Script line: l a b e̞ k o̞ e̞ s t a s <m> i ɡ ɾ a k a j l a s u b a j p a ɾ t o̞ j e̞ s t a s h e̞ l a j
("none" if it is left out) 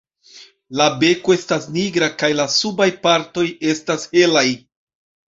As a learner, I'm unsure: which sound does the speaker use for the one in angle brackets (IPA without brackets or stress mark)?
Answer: n